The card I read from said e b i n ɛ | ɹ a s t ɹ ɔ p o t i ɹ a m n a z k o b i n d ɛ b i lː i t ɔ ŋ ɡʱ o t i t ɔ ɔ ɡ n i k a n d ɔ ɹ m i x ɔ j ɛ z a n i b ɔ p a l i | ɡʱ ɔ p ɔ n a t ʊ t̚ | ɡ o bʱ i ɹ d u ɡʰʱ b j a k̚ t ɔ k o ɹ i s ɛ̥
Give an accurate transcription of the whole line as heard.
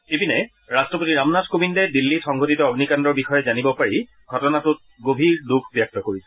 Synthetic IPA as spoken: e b i n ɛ | ɹ a s t ɹ ɔ p o t i ɹ a m n a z k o b i n d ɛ d i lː i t ɔ ŋ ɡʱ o t i t ɔ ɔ ɡ n i k a n d ɔ ɹ b i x ɔ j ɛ z a n i b ɔ p a ɹ i | ɡʱ ɔ t ɔ n a t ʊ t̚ | ɡ o bʱ i ɹ d u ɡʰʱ b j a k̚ t ɔ k o ɹ i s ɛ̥